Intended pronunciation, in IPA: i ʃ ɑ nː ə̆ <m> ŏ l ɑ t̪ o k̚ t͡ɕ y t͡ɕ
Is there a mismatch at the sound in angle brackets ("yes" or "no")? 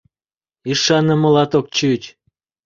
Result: no